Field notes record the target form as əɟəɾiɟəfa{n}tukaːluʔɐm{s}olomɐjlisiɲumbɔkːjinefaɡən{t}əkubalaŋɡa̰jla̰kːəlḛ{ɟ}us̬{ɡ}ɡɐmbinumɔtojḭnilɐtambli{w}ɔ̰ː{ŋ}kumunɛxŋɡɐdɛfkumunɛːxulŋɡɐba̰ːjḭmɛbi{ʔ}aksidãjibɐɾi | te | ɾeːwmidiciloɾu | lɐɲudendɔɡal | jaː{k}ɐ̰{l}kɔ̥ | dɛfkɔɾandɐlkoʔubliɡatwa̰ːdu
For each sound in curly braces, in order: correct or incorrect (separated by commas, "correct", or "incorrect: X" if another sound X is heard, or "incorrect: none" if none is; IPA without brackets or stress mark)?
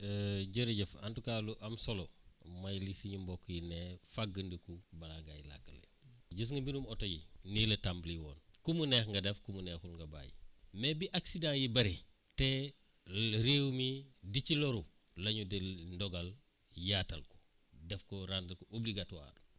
correct, correct, incorrect: d, correct, incorrect: ŋ, correct, incorrect: n, correct, incorrect: t, correct